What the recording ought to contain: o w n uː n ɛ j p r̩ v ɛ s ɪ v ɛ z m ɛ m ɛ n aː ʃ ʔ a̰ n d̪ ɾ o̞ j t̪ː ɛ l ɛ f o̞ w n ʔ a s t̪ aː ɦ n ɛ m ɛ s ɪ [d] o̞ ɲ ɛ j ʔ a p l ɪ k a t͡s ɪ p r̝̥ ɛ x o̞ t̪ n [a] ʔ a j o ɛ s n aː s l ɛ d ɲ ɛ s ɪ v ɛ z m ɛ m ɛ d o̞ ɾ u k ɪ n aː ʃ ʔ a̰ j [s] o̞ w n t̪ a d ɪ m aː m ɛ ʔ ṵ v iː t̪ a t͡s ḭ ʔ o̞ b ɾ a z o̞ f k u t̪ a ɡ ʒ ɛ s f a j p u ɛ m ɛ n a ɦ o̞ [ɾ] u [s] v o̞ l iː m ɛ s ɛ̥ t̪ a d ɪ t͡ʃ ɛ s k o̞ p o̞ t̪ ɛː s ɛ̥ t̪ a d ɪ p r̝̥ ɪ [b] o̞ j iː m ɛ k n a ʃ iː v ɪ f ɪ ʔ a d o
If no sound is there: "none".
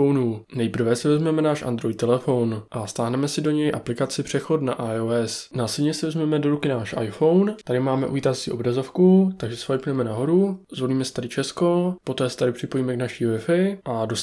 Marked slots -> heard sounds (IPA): d, a, f, ɾ, z, p

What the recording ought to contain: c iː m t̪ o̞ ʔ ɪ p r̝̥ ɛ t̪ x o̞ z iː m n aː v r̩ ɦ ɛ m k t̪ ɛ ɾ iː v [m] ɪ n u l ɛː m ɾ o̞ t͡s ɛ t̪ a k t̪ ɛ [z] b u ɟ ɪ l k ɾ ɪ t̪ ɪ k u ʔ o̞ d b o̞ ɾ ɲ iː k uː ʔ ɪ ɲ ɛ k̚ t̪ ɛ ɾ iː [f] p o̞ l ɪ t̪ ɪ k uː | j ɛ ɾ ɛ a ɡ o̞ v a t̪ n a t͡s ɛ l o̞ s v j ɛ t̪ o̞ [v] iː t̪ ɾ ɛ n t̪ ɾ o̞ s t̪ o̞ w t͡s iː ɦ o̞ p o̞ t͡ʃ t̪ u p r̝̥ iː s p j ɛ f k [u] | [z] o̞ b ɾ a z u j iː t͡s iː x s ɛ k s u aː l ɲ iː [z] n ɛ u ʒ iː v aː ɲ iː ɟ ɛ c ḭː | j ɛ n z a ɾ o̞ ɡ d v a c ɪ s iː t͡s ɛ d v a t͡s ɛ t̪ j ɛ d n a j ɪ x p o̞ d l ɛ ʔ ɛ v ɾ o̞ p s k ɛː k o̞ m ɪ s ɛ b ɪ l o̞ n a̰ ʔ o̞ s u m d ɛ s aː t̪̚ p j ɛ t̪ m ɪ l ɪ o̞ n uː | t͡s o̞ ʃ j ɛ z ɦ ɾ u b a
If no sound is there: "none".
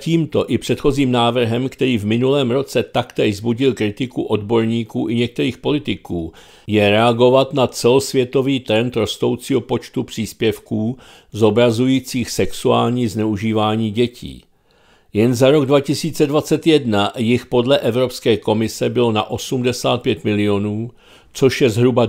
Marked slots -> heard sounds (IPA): m, z, x, v, uː, z, z

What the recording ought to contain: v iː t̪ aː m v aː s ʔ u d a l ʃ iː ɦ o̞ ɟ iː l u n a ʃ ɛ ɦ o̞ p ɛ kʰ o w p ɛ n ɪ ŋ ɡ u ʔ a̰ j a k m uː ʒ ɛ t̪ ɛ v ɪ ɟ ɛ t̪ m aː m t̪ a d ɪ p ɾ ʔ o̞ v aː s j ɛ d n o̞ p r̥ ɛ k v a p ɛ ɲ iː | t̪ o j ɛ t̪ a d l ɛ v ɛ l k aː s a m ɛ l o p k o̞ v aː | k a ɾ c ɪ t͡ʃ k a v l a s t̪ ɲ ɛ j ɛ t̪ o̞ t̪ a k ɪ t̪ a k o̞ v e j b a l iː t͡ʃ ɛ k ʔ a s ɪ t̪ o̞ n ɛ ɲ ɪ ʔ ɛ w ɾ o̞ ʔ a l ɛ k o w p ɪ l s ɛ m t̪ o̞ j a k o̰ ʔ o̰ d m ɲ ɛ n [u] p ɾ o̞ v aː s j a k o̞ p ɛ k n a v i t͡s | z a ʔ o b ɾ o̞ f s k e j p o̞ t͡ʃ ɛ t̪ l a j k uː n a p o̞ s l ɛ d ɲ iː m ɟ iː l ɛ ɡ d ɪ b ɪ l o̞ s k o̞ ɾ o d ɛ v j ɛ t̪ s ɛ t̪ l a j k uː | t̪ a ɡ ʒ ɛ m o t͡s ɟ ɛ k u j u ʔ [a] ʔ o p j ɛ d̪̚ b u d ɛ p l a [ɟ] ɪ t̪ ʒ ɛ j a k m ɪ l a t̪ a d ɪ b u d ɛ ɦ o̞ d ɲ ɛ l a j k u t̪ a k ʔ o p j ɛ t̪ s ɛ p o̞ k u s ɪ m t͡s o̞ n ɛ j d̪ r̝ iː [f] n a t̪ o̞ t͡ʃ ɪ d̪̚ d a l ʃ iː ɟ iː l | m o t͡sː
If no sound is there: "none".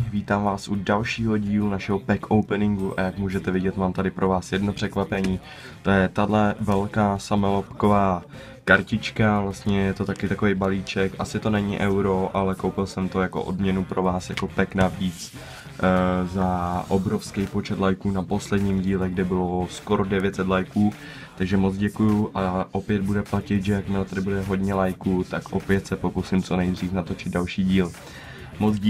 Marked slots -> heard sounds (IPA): u, a, c, f

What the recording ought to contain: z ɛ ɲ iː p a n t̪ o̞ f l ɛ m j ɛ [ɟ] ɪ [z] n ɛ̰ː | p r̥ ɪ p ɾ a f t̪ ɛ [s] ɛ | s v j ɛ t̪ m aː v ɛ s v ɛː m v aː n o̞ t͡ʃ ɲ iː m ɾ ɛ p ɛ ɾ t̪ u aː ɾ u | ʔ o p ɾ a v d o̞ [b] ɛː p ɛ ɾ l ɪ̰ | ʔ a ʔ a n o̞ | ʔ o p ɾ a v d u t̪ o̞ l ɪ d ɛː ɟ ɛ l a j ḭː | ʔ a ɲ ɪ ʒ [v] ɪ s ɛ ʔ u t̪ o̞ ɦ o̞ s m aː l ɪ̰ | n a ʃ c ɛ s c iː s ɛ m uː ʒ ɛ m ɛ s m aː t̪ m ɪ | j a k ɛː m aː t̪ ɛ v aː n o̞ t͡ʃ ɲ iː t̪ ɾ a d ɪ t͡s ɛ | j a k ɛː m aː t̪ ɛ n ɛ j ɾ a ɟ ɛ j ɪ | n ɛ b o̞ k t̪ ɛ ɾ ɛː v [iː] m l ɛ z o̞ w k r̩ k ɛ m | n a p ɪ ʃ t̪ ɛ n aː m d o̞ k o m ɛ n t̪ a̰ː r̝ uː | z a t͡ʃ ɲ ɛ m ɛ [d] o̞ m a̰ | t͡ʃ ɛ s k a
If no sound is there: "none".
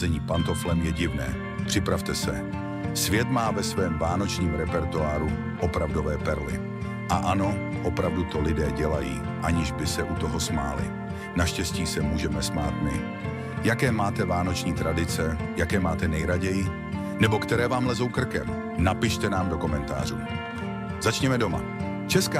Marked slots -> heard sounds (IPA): ɟ, v, s, v, b, aː, d

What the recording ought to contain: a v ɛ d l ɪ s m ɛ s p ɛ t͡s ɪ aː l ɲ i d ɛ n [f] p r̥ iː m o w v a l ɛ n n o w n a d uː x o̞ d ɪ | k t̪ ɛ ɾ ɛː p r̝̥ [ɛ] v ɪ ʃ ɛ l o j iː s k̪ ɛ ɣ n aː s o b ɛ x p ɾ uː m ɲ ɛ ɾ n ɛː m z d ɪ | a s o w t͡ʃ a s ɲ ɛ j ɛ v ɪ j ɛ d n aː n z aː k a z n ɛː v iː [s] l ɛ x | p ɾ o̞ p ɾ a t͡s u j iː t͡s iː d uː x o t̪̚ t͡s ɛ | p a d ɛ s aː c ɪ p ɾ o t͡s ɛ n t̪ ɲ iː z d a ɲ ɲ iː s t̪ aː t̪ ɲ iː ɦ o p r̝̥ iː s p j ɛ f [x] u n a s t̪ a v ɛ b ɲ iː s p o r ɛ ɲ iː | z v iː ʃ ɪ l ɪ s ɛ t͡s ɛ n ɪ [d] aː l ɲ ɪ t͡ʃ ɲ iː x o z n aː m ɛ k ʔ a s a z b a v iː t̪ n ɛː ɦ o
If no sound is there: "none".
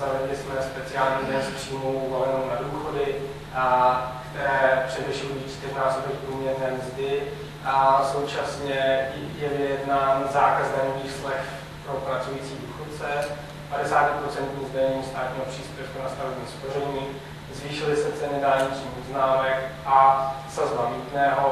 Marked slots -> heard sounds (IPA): s, ɛ, s, k, d

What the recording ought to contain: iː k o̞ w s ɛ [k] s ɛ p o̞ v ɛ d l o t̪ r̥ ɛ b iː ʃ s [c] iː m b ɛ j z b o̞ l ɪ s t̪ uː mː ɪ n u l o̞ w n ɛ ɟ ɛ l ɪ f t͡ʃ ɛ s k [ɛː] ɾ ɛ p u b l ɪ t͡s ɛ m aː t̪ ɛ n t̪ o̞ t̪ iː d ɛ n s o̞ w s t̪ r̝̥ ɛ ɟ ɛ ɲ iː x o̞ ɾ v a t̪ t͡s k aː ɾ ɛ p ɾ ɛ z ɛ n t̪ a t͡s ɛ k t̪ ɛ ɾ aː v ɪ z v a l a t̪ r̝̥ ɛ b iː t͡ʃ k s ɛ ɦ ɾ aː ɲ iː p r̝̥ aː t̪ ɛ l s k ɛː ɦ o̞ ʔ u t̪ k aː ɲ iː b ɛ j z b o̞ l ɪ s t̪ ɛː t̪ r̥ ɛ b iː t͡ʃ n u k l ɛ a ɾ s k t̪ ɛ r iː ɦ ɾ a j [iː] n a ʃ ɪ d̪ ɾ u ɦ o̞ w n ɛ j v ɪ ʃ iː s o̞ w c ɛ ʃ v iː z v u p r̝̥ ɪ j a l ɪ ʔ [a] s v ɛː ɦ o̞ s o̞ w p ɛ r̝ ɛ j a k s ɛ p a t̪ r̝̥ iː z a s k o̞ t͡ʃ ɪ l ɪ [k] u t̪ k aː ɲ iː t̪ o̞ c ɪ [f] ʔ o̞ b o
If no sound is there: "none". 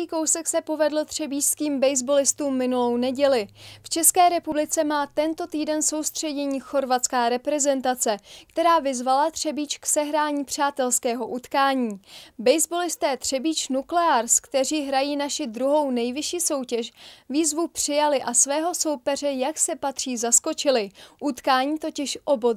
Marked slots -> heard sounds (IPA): k, k, ɛː, iː, a, ʔ, ʃ

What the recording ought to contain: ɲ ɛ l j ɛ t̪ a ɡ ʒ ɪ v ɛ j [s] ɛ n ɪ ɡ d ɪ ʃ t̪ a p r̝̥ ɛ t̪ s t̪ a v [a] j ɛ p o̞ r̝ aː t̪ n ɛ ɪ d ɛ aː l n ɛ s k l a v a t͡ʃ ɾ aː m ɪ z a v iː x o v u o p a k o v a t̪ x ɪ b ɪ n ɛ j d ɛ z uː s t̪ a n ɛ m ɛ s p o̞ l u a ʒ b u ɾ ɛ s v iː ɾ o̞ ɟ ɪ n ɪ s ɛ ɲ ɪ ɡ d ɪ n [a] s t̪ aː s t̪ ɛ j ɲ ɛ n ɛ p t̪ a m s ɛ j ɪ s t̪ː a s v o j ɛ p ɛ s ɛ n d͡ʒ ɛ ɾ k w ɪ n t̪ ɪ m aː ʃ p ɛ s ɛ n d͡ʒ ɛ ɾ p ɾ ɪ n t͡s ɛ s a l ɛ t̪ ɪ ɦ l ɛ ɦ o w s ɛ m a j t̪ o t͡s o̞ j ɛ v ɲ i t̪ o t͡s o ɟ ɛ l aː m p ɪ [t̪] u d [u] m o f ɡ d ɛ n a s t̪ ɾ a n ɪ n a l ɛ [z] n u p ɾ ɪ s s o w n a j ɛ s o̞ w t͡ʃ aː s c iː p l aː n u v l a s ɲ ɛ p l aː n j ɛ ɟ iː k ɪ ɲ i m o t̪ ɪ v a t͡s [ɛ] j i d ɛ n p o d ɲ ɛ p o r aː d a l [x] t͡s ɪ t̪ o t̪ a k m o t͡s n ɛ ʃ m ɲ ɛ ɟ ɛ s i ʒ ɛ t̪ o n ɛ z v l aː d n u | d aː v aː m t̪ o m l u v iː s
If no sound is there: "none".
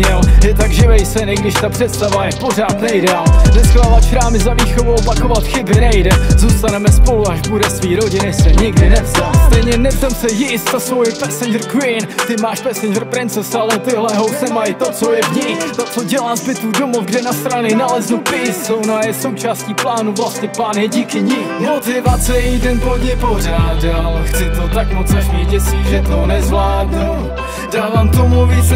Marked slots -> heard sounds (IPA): s, a, ɛ, t̪, o, z, ɛ, x

